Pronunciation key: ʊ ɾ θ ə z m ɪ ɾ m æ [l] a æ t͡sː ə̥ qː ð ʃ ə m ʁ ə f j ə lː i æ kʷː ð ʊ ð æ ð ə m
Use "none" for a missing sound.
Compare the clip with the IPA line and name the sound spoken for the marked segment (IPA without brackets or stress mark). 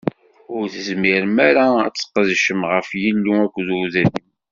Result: ɾ